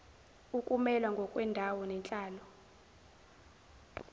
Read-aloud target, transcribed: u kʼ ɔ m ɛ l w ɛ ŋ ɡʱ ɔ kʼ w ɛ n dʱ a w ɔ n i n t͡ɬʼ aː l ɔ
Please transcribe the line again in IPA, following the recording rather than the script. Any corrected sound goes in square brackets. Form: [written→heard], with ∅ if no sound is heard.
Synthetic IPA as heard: u kʼ [ɔ→u] m ɛ l w [ɛ→a] ŋ ɡʱ ɔ kʼ w ɛ n dʱ a w ɔ n [i→ɛ] n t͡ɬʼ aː l ɔ